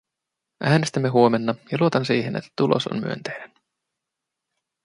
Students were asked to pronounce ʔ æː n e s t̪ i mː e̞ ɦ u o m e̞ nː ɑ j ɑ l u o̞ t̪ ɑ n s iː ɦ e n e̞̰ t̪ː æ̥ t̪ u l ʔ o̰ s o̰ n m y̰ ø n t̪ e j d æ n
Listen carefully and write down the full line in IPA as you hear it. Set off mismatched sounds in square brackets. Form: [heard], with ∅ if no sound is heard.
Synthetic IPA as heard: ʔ æː n e s t̪ [æ] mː e̞ ɦ u o m e̞ nː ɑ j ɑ l u o̞ t̪ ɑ n s iː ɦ e n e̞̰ t̪ː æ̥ t̪ u l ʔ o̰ s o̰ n m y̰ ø n t̪ e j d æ n

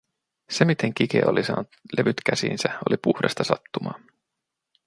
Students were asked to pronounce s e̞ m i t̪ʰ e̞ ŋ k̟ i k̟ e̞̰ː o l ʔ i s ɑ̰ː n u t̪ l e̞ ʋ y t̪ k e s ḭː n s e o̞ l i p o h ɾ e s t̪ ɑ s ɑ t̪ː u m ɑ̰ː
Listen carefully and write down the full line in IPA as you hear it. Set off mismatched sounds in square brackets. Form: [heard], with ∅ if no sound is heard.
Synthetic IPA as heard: s e̞ m i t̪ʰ e̞ ŋ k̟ i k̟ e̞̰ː o l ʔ i s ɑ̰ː n u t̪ l e̞ ʋ y t̪ k [æ] s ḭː n s [æ] o̞ l i p [u] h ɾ e s t̪ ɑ s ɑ t̪ː u m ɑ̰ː

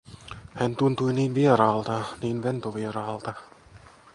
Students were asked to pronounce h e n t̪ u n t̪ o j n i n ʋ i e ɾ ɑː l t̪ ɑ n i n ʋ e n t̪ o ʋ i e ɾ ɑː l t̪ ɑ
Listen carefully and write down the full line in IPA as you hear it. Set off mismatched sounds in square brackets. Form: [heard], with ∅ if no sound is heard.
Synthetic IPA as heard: h [æ] n t̪ u n t̪ [u] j n [iː] n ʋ i e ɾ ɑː l t̪ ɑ n [iː] n ʋ e n t̪ o ʋ i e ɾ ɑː l t̪ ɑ

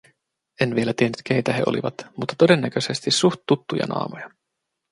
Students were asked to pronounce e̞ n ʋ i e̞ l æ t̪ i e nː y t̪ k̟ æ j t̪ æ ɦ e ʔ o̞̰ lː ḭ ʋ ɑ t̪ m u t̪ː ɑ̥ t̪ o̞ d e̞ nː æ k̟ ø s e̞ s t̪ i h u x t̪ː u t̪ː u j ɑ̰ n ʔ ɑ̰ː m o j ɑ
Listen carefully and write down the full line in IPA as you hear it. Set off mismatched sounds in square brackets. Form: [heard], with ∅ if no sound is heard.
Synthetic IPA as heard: e̞ n ʋ i e̞ l æ t̪ i e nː y t̪ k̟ [e] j t̪ æ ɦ e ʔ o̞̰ [l] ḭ ʋ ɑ t̪ m u t̪ː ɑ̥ t̪ o̞ d e̞ nː æ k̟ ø s e̞ s t̪ i [s] u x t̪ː u t̪ː u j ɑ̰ n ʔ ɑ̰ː m o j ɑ

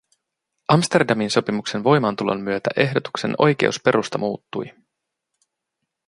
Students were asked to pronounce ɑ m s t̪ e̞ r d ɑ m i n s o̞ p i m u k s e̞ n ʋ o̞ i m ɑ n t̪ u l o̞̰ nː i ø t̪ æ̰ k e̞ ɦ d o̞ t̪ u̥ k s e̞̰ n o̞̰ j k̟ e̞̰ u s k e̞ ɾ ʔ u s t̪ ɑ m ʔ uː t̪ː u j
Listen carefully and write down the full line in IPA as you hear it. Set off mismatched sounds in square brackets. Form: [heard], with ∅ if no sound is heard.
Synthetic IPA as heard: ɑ m s t̪ e̞ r d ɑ m i n s o̞ p i m u k s e̞ n ʋ o̞ [j] m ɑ n t̪ u l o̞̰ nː [y] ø t̪ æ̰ [ʔ] e̞ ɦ d o̞ t̪ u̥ k s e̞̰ n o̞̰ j k̟ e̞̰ u s [p] e̞ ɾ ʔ u s t̪ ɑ m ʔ uː t̪ː u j

